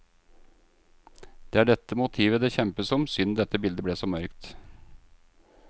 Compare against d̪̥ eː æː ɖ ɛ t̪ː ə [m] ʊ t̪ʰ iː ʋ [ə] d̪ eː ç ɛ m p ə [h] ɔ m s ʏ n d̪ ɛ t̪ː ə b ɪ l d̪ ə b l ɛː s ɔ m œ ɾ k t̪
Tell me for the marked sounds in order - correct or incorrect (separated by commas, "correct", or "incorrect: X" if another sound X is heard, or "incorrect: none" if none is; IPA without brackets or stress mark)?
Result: correct, correct, incorrect: s